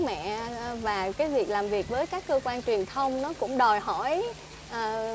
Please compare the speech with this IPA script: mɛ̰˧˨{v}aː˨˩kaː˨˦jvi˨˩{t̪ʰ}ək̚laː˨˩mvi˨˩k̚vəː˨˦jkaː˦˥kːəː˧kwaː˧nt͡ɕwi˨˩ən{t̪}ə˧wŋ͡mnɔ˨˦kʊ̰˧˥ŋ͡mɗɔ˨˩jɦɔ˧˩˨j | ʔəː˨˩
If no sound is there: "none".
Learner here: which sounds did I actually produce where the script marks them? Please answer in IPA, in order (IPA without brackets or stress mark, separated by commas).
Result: v, none, t̪ʰ